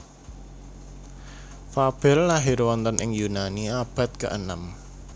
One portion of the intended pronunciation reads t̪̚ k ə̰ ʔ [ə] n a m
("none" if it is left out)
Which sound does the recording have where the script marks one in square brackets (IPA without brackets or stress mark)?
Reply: ə